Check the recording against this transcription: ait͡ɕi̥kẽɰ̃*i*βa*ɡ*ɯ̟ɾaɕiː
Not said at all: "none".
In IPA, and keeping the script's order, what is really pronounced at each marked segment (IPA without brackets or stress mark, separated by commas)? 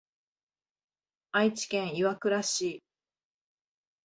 i, k